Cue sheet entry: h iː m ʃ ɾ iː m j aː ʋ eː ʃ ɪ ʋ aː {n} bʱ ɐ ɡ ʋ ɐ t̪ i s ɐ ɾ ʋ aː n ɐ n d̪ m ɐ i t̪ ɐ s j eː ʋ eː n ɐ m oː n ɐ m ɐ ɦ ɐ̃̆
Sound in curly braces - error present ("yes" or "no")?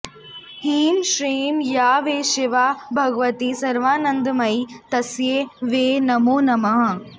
yes